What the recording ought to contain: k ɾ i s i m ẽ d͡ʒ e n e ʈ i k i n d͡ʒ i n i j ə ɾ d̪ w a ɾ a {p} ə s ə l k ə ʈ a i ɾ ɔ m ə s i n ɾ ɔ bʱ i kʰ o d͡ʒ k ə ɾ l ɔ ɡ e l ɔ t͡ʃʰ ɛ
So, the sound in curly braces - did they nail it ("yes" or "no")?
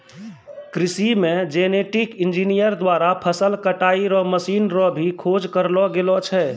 no